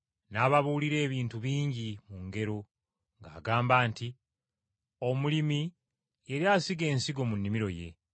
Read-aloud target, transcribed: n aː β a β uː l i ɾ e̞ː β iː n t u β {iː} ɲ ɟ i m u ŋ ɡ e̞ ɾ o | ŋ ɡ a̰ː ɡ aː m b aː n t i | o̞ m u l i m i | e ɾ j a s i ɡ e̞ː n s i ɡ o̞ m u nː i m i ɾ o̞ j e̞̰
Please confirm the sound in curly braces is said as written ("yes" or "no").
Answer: yes